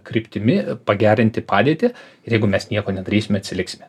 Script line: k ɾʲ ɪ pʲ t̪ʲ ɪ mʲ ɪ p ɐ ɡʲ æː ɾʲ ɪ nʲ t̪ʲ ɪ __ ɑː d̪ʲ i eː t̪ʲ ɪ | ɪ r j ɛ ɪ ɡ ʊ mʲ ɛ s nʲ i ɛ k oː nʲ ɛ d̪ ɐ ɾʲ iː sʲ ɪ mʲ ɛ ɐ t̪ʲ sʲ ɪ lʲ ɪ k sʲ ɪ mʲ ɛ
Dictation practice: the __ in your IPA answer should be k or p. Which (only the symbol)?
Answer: p